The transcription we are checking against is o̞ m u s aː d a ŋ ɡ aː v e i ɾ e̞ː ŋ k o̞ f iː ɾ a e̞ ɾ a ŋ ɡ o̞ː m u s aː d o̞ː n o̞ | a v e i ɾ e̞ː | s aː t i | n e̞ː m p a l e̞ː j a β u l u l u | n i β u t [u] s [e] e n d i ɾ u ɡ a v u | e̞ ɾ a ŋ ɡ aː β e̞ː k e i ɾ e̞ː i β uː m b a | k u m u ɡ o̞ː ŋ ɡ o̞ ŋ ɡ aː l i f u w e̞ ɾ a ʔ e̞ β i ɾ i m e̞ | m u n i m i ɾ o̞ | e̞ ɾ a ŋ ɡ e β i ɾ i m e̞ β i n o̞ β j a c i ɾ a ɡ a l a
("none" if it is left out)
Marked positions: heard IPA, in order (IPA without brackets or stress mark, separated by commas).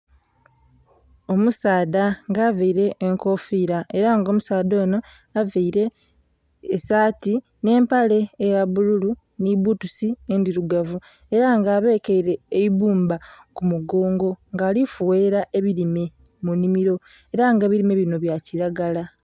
u, i